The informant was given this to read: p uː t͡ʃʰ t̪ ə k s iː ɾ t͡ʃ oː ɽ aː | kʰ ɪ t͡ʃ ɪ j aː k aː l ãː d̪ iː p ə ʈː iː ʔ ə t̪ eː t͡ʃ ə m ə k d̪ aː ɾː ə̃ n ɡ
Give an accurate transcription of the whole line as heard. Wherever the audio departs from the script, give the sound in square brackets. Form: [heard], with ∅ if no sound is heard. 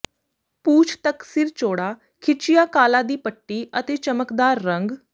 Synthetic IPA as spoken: p uː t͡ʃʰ t̪ ə k s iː ɾ t͡ʃ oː ɽ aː | kʰ ɪ t͡ʃ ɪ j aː k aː l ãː d̪ iː p ə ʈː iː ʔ ə t̪ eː t͡ʃ ə m ə k d̪ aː ɾː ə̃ [ŋ] ɡ